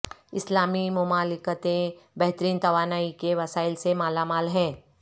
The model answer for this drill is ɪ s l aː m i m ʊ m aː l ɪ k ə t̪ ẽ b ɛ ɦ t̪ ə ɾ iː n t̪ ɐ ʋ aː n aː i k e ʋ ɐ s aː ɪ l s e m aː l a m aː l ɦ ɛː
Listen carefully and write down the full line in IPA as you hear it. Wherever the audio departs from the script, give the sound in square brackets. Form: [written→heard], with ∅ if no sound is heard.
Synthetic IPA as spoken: ɪ s l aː m i m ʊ m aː l ɪ k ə t̪ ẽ b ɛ ɦ t̪ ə ɾ iː n t̪ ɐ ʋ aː n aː i k e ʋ ɐ s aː ɪ l s e m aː l a m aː l ɦ [ɛː→ɛ̃ː]

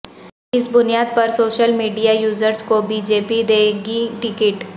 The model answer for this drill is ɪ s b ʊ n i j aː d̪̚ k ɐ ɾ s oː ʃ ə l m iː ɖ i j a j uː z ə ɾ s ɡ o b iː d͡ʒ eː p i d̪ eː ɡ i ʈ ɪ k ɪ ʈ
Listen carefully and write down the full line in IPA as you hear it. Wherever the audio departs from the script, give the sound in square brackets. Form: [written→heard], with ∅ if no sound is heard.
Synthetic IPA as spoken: ɪ s b ʊ n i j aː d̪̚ [k→p] ɐ ɾ s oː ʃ ə l m iː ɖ i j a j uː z ə ɾ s [ɡ→k] o b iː d͡ʒ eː p i d̪ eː ɡ i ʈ ɪ k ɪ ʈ

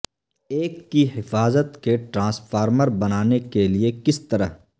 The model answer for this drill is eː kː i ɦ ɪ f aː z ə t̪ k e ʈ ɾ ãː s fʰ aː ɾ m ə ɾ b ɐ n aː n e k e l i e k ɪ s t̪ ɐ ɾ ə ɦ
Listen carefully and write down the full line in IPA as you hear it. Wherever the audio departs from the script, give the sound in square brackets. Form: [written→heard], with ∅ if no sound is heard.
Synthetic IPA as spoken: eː kː i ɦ ɪ f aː z ə t̪ k e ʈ ɾ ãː s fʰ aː ɾ m ə ɾ b ɐ n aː n e k e l i e k ɪ s t̪ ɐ ɾ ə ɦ

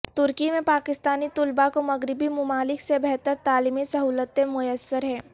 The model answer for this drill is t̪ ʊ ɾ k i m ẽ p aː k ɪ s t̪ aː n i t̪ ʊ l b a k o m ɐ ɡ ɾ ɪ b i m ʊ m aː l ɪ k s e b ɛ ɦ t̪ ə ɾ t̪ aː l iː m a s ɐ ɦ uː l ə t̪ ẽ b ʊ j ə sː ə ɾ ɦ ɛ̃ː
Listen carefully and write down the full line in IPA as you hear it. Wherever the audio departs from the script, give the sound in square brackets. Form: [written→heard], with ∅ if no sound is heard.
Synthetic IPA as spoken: t̪ ʊ ɾ k i m ẽ p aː k ɪ s t̪ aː n i t̪ ʊ l b a k o m ɐ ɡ ɾ ɪ b i m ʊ m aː l ɪ k s e b ɛ ɦ t̪ ə ɾ t̪ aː l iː m [a→i] s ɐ ɦ uː l ə t̪ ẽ [b→m] ʊ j ə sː ə ɾ ɦ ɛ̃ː

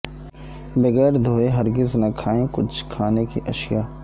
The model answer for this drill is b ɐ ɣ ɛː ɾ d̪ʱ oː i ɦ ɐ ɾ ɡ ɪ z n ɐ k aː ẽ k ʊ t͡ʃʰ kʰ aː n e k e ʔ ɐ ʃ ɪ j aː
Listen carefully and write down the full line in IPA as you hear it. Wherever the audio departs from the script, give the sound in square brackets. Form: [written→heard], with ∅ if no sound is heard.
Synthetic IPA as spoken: b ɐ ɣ ɛː ɾ d̪ʱ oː [i→e] ɦ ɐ ɾ ɡ ɪ z n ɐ [k→kʰ] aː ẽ k ʊ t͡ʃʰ kʰ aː n e k [e→i] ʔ ɐ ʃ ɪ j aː

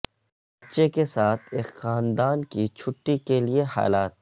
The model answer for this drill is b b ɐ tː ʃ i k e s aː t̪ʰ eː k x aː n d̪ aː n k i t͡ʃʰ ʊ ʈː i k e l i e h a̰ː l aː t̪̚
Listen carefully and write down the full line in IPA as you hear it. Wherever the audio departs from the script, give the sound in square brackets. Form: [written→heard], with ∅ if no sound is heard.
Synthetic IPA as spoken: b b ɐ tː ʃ [i→e] k e s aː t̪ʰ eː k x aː n d̪ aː n k i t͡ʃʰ ʊ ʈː i k e l i e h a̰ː l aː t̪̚

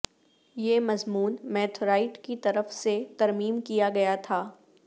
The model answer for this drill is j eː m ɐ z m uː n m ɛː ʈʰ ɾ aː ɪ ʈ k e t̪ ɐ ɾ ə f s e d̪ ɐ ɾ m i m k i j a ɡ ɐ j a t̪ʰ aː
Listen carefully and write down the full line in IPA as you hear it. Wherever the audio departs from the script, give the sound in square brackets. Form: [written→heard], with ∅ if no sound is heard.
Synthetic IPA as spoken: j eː m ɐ z m uː n m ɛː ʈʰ ɾ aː ɪ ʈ k [e→i] t̪ ɐ ɾ ə f s e [d̪→t̪] ɐ ɾ m [i→iː] m k i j a ɡ ɐ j a t̪ʰ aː

